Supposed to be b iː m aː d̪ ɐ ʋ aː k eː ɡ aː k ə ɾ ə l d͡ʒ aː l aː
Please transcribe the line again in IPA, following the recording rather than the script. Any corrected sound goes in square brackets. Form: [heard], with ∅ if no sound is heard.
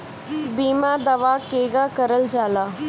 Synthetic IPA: b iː m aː d̪ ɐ ʋ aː k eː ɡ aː k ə ɾ ə l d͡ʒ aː l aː